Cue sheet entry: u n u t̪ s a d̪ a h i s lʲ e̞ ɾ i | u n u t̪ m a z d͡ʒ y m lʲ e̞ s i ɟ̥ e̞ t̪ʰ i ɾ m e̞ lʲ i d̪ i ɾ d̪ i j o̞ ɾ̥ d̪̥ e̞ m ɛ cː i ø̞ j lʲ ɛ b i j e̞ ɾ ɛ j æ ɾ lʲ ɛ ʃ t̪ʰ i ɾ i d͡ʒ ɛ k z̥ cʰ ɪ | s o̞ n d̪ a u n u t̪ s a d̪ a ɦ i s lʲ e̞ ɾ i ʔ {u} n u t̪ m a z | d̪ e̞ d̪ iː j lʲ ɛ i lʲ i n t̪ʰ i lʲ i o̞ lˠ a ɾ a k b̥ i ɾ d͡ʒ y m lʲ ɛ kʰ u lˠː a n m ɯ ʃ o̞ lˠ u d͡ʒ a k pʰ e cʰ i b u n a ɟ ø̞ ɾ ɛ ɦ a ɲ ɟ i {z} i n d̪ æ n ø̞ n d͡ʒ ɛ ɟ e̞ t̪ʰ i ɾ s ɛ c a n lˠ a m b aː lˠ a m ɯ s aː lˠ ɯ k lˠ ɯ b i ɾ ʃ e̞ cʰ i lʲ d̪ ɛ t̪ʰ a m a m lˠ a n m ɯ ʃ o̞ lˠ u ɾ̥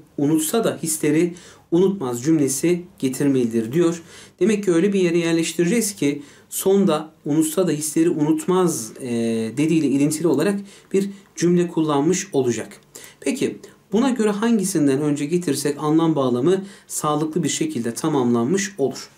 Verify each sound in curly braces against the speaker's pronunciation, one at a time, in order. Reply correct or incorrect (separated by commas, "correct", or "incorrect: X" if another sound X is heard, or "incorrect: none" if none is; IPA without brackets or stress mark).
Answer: correct, incorrect: s